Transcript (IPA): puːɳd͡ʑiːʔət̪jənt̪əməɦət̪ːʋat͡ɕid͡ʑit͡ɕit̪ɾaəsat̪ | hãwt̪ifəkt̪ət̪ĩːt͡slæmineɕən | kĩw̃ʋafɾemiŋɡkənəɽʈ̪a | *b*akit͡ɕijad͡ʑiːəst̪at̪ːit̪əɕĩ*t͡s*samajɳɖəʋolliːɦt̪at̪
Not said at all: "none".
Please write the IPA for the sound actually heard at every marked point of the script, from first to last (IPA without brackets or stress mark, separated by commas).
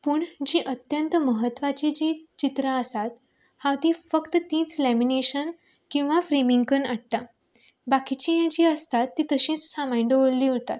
b, t͡s